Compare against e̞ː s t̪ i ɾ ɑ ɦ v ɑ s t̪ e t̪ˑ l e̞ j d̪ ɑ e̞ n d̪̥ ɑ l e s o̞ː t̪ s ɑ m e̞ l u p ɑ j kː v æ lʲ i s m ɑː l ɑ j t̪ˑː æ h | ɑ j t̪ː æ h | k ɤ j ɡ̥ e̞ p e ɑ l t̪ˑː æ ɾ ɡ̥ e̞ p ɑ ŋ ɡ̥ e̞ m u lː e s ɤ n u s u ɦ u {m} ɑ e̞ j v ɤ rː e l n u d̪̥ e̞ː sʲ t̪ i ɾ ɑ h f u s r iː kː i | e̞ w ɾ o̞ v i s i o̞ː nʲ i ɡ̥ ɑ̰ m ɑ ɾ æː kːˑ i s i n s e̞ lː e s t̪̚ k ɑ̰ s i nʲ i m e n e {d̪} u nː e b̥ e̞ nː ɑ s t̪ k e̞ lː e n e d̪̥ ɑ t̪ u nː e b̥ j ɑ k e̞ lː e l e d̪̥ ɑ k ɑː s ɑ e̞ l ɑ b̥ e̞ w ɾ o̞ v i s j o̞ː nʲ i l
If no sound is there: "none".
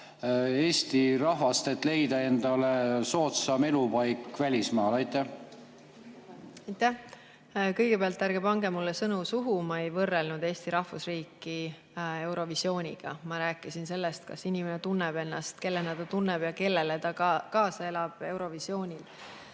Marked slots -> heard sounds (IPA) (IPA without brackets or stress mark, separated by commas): m, t̪